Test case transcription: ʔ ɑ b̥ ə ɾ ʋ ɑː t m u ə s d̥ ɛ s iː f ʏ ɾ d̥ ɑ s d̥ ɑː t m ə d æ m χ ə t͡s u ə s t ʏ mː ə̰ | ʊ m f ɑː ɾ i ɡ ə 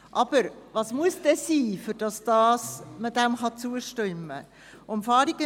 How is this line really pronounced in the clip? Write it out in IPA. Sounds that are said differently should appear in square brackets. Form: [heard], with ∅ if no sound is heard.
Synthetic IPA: ʔ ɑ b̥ ə ɾ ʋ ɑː [s] m u ə s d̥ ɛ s iː f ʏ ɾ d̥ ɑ s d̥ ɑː [s] m ə d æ m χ [ɑ] t͡s u ə [ʃ] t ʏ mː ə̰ | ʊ m f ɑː ɾ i ɡ ə